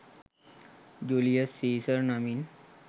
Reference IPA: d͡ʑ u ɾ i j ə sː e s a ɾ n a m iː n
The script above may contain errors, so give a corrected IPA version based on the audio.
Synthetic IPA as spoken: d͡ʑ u l i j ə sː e s ə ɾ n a m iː n